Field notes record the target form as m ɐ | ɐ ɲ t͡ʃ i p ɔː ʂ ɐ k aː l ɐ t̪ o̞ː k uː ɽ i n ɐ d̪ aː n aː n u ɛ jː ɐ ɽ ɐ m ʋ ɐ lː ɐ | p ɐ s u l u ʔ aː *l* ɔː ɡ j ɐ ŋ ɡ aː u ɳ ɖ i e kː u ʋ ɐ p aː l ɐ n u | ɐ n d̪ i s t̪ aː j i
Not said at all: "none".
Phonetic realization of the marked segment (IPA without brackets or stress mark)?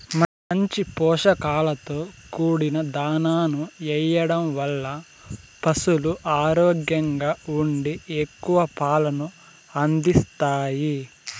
ɾ